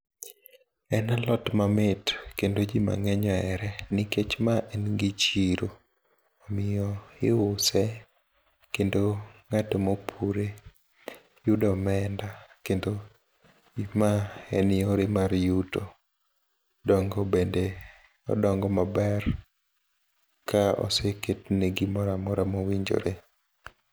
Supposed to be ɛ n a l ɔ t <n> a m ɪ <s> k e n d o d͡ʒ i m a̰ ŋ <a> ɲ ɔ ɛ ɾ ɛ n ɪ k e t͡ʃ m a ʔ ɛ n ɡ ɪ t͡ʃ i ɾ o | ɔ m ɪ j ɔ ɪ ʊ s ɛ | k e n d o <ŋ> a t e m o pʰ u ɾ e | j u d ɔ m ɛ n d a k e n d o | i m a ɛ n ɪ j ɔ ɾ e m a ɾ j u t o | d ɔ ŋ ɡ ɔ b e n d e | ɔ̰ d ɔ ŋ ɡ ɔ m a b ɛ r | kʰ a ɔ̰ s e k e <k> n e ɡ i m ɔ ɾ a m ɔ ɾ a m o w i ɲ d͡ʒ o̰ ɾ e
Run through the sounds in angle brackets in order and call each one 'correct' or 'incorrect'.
incorrect: m, incorrect: t, incorrect: ɛ, correct, incorrect: t

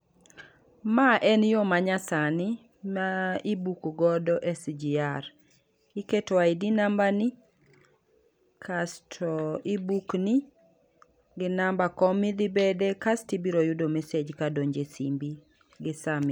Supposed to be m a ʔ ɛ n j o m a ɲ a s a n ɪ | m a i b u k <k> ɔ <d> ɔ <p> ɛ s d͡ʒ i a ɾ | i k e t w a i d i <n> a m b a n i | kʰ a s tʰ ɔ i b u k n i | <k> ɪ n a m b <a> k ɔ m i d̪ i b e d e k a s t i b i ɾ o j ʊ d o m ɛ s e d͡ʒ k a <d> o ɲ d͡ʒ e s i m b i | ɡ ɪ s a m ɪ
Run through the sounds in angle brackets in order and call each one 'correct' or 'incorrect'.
incorrect: ɡ, correct, incorrect: ʔ, correct, incorrect: ɡ, correct, correct

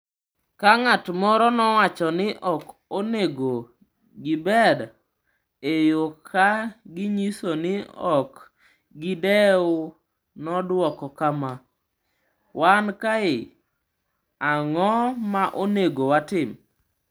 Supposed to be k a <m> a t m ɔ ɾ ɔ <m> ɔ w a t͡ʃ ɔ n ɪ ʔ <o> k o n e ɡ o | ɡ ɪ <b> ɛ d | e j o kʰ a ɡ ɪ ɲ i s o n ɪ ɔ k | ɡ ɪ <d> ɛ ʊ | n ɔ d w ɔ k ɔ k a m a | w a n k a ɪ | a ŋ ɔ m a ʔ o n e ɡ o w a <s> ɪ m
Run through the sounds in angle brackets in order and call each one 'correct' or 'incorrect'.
incorrect: ŋ, incorrect: n, incorrect: ɔ, correct, correct, incorrect: t

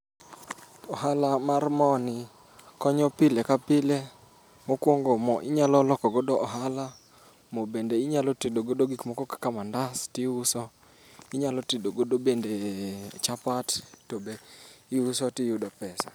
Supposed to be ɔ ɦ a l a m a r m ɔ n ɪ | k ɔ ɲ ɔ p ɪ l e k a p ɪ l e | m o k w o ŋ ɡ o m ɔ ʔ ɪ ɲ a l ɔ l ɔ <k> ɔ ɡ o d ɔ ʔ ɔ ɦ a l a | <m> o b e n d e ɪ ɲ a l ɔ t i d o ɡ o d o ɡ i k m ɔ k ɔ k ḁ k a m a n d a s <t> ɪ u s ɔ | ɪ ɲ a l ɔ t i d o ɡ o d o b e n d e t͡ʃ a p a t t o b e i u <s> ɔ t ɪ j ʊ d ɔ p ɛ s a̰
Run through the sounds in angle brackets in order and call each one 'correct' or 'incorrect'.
correct, correct, correct, correct

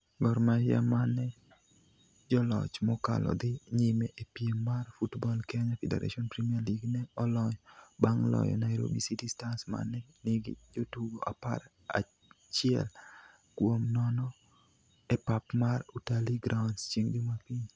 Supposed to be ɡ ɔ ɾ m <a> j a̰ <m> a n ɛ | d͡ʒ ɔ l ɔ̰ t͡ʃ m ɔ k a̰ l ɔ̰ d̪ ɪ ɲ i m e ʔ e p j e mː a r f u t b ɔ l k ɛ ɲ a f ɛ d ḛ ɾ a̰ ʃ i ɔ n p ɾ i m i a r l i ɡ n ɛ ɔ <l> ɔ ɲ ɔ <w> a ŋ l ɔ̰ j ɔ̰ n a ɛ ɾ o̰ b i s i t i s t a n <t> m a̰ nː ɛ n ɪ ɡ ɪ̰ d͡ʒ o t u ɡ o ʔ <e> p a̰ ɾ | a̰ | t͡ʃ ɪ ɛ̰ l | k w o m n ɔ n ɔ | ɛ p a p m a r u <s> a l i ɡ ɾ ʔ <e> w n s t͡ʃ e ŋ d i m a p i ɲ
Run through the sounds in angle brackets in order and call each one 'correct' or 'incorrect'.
correct, correct, correct, incorrect: b, incorrect: s, incorrect: a, incorrect: t, incorrect: a

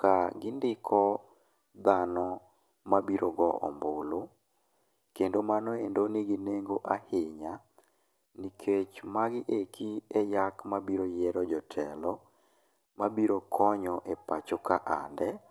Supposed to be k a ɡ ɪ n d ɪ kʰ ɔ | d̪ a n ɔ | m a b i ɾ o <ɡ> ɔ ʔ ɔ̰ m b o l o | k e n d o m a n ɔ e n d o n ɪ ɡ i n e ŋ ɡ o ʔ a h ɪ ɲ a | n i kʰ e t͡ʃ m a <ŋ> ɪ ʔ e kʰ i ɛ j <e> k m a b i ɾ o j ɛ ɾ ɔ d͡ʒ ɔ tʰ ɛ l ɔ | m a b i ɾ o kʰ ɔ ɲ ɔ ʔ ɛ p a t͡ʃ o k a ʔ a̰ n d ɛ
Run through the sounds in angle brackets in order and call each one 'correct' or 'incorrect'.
correct, incorrect: ɡ, incorrect: a

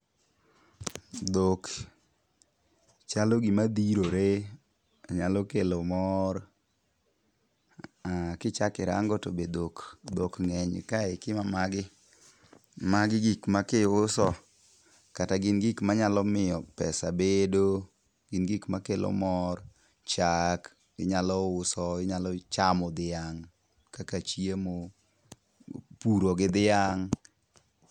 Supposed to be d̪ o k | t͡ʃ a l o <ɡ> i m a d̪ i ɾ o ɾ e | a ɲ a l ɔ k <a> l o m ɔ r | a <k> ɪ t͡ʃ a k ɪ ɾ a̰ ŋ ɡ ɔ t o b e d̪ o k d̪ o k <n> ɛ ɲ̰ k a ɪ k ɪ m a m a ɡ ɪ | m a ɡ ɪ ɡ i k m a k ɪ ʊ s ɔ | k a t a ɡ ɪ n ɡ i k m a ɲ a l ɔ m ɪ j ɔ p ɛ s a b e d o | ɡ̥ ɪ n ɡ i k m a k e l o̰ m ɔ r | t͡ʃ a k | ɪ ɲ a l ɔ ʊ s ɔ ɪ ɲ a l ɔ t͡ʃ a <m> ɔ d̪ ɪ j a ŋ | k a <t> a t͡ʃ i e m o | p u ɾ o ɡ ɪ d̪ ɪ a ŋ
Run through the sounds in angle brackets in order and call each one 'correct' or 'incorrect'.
correct, incorrect: e, correct, incorrect: ŋ, correct, incorrect: k

